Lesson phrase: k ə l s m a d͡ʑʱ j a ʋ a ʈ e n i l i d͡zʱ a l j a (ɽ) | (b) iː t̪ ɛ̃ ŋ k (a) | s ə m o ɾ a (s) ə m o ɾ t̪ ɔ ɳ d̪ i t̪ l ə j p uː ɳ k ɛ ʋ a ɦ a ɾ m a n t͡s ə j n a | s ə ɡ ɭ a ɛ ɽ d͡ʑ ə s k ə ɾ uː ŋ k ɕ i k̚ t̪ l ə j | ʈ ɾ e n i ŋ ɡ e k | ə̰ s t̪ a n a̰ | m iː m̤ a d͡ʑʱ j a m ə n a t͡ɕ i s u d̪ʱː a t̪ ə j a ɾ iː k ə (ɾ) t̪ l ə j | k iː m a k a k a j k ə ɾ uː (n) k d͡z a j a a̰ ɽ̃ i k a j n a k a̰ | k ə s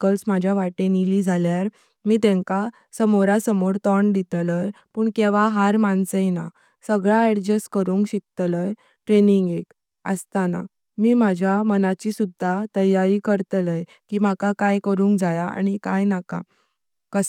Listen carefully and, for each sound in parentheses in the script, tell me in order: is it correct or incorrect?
incorrect: ɾ, incorrect: m, correct, correct, correct, incorrect: ŋ

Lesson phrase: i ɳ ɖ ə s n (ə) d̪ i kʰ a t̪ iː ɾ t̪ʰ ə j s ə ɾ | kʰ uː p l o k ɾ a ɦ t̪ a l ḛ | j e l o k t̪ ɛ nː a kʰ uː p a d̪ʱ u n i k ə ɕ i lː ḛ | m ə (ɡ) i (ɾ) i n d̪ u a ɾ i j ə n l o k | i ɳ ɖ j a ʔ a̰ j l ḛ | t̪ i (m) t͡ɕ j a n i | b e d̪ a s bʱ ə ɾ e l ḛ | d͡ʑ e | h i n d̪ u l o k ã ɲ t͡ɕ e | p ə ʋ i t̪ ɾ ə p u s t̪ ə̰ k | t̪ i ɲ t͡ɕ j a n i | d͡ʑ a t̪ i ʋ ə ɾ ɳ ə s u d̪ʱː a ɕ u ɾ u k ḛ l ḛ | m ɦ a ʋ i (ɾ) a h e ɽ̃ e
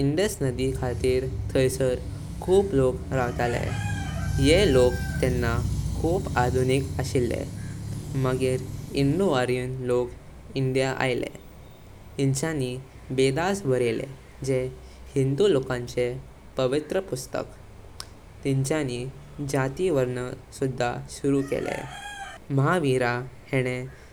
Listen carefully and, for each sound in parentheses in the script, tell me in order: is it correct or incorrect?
correct, correct, correct, incorrect: ɲ, correct

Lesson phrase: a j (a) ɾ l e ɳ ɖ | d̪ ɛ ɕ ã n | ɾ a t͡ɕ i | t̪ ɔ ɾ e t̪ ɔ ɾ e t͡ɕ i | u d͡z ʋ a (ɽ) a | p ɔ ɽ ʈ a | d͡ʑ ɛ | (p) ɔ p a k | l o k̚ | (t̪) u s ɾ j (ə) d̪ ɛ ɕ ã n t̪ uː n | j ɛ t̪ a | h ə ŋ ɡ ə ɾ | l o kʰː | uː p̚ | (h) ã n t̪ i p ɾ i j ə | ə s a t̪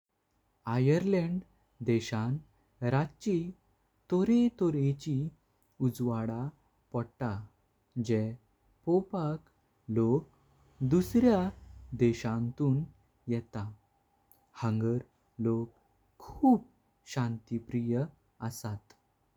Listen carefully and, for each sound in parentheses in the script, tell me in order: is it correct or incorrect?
incorrect: ə, correct, correct, incorrect: d̪, incorrect: a, incorrect: ɕ

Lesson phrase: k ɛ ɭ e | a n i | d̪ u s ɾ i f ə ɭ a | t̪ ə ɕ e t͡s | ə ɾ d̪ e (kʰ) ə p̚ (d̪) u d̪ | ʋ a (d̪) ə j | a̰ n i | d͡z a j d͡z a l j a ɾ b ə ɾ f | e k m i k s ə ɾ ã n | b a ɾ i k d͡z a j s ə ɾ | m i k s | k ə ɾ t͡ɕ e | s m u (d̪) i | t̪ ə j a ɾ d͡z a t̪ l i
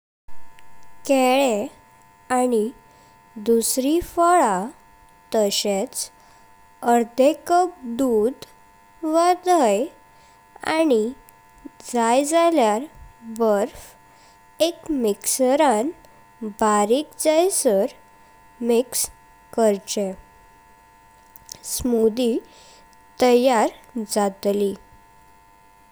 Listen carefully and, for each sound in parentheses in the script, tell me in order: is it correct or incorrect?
incorrect: k, correct, correct, correct

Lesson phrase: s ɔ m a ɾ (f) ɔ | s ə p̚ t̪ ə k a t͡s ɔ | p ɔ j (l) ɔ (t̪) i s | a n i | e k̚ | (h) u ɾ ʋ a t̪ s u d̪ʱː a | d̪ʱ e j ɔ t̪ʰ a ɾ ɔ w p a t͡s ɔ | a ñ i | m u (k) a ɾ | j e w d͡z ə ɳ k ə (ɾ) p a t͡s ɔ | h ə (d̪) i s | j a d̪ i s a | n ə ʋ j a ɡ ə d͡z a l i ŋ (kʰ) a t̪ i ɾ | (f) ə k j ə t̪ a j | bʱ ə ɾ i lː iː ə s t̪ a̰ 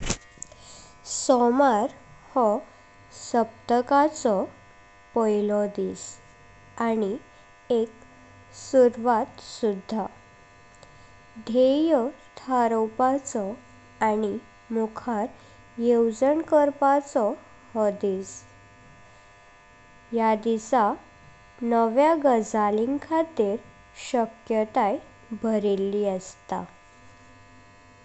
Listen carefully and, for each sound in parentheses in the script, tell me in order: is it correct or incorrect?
incorrect: h, correct, incorrect: d̪, incorrect: s, incorrect: kʰ, correct, correct, correct, incorrect: ɕ

